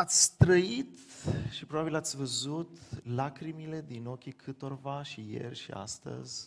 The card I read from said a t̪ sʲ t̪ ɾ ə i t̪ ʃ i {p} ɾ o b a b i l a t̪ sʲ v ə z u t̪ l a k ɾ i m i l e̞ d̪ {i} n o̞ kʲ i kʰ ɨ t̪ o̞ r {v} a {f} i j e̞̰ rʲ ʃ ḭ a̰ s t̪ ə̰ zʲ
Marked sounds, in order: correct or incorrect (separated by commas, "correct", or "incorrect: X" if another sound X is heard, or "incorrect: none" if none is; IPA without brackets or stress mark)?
correct, correct, correct, incorrect: ʃ